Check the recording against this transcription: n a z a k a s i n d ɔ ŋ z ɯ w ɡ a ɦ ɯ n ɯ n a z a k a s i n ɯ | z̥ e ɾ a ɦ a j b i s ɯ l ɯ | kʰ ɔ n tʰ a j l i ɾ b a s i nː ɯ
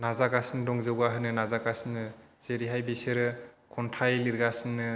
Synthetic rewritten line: n a z a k a s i n d ɔ ŋ z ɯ w ɡ a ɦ ɯ n ɯ n a z a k a s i n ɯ | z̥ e ɾ i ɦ a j b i s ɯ ɾ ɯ | kʰ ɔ n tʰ a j l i ɾ ɡ a s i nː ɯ